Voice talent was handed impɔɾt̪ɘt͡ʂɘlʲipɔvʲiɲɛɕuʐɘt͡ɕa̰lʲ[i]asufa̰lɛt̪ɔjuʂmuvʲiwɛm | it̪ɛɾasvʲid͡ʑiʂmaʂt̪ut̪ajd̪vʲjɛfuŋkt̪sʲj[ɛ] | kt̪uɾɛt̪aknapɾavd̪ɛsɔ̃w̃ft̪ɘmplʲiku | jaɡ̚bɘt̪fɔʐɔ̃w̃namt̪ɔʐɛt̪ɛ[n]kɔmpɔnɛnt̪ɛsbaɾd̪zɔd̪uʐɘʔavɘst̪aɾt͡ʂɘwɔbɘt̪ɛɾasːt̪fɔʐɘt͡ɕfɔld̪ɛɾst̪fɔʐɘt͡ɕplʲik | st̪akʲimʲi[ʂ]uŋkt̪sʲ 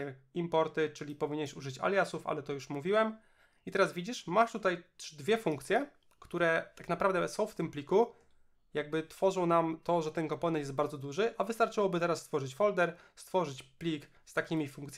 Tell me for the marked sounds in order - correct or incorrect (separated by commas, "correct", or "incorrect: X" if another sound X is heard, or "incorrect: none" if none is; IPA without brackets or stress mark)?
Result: incorrect: j, correct, correct, incorrect: f